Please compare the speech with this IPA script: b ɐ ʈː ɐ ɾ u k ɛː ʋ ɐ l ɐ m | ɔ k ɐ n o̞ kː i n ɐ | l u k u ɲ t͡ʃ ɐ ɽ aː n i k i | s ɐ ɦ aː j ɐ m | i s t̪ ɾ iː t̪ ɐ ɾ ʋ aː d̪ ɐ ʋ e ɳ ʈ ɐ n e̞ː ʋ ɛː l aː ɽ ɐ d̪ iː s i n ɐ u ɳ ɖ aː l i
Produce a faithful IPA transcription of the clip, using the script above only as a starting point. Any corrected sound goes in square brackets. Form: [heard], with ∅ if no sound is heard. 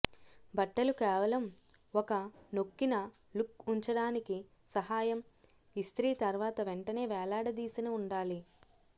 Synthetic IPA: b ɐ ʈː ɐ [l] u k ɛː ʋ ɐ l ɐ m | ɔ k ɐ n o̞ kː i n ɐ | l u k u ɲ t͡ʃ ɐ ɽ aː n i k i | s ɐ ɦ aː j ɐ m | i s t̪ ɾ iː t̪ ɐ ɾ ʋ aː [t̪] ɐ ʋ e ɳ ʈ ɐ n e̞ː ʋ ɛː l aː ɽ ɐ d̪ iː s i n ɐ u ɳ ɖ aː l i

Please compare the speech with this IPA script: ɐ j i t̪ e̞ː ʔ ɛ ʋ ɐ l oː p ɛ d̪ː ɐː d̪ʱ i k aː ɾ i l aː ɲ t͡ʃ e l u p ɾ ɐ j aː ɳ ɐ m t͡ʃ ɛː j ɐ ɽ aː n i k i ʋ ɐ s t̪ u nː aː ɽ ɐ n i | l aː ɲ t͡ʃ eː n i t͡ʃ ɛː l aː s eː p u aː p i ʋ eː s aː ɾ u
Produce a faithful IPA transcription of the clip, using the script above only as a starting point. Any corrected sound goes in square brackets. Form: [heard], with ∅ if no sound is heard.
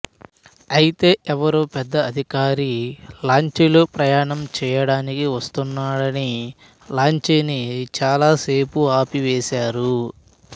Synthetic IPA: ɐ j i t̪ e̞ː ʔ ɛ ʋ ɐ [ɾ] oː p ɛ d̪ː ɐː d̪ʱ i k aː ɾ i l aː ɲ t͡ʃ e l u p ɾ ɐ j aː ɳ ɐ m t͡ʃ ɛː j ɐ ɽ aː n i k i ʋ ɐ s t̪ u nː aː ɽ ɐ n i | l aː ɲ t͡ʃ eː n i t͡ʃ [aː] l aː s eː p u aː p i ʋ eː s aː ɾ u

